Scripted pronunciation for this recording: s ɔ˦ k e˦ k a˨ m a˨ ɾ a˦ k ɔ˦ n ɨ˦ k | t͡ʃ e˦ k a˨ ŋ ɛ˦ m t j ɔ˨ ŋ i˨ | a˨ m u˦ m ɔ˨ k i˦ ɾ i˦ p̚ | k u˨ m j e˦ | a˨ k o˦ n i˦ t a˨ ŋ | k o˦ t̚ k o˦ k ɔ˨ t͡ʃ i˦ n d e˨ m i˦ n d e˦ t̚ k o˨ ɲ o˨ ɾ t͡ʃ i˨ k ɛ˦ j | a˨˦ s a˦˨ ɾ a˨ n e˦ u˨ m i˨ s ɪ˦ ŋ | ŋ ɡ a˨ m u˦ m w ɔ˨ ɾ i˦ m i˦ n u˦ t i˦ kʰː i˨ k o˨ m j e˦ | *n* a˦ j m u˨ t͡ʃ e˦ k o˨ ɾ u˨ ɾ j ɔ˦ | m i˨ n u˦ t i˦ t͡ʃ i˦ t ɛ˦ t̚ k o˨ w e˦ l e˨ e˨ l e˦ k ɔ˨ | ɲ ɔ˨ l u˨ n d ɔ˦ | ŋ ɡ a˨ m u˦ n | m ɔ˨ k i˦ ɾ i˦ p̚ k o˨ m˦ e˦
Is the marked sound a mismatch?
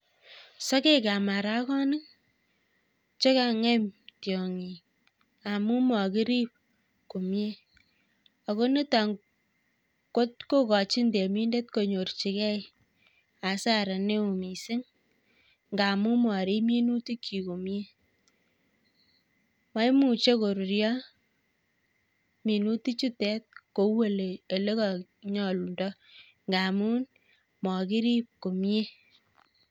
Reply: yes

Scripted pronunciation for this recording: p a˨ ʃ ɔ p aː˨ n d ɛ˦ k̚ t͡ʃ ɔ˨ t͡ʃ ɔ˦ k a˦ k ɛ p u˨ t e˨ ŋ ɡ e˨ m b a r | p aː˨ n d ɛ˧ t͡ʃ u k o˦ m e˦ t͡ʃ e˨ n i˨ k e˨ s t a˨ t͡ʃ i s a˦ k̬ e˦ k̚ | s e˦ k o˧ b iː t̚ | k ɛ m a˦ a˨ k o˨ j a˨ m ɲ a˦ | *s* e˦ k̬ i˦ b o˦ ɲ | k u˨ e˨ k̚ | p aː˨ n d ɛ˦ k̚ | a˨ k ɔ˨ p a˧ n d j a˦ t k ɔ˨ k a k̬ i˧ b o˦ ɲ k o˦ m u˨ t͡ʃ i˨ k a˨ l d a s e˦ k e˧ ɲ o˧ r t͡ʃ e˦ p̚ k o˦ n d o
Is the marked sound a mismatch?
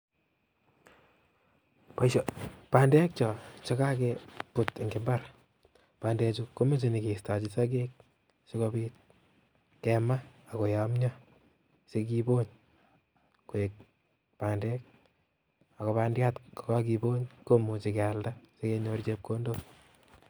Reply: no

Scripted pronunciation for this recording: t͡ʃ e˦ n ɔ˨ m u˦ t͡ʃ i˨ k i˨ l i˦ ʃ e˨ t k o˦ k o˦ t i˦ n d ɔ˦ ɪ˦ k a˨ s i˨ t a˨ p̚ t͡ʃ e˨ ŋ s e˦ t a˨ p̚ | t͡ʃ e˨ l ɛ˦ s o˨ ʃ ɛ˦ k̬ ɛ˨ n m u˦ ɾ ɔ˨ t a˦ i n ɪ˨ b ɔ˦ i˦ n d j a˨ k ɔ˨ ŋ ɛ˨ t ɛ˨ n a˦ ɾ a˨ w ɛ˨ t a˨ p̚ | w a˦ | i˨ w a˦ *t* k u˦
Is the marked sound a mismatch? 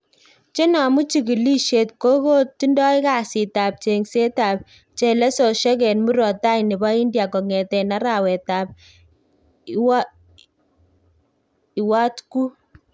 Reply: no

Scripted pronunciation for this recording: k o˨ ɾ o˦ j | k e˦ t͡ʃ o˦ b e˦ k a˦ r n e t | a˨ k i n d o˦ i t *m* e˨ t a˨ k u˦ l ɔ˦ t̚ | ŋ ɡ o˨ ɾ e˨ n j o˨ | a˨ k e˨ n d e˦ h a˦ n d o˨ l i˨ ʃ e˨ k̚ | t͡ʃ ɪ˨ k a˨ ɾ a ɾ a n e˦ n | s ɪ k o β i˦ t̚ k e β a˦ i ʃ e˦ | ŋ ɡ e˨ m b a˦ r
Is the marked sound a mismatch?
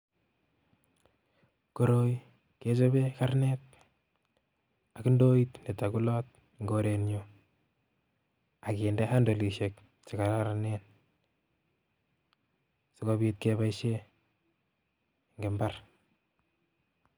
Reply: yes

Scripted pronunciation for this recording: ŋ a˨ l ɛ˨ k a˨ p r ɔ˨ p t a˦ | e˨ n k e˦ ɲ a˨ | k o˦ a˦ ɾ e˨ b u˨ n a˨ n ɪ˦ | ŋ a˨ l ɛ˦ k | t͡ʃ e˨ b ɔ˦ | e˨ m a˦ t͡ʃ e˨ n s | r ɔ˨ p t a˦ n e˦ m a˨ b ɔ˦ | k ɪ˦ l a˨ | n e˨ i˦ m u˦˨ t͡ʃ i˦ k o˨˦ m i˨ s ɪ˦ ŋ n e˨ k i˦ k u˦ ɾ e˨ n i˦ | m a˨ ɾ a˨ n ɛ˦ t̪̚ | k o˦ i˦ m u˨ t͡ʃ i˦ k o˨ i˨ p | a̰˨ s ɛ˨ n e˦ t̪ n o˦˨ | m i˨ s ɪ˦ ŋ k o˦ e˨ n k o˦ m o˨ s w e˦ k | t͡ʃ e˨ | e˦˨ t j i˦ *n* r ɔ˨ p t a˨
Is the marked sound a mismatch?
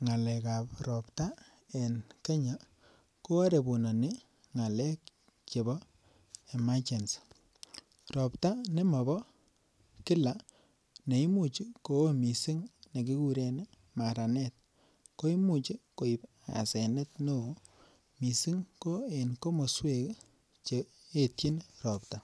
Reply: no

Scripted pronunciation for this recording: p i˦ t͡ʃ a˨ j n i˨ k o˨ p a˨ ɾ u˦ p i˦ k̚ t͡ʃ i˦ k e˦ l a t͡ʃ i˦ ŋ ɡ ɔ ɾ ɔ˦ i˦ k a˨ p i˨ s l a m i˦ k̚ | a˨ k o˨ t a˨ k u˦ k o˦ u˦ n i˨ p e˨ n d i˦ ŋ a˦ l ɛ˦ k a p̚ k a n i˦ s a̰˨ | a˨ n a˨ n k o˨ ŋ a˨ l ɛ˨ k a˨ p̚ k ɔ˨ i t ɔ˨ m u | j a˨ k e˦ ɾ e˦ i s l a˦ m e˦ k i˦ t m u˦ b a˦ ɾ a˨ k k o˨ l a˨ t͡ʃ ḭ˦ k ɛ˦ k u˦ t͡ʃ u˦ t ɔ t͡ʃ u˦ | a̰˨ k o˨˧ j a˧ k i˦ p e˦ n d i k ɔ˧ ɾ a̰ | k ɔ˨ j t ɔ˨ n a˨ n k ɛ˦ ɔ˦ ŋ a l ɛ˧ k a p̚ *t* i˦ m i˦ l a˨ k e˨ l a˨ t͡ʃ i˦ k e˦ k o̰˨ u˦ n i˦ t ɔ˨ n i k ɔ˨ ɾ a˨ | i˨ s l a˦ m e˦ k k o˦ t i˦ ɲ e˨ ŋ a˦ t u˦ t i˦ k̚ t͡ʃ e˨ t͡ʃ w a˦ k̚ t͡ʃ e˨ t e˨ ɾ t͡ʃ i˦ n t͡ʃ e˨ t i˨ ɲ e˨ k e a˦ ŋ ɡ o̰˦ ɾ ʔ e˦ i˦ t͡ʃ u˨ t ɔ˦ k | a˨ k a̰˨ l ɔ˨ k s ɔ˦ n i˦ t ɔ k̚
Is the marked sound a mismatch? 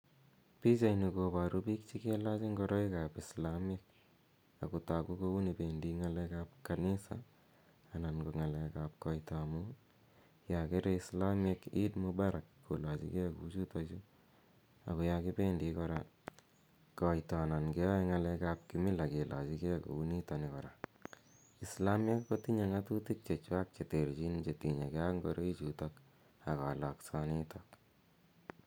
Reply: yes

